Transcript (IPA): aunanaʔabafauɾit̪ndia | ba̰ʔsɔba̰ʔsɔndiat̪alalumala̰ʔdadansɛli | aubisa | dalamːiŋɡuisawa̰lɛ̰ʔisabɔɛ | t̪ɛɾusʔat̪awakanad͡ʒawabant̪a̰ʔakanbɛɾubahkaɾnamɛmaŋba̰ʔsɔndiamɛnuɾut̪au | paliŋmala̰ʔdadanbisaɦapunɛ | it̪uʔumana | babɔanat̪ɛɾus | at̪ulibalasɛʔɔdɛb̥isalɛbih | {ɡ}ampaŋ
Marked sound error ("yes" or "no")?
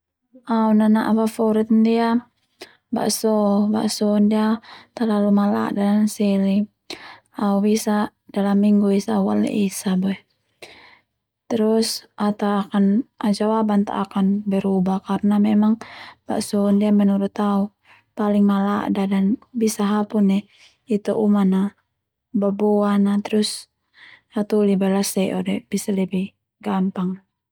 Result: no